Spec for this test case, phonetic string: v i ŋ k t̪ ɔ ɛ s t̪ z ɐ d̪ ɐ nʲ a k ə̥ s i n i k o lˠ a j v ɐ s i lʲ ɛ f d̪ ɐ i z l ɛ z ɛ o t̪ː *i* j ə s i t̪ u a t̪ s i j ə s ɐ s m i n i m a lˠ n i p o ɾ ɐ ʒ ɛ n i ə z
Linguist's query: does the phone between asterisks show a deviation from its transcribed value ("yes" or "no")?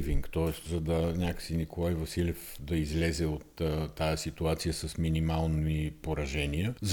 yes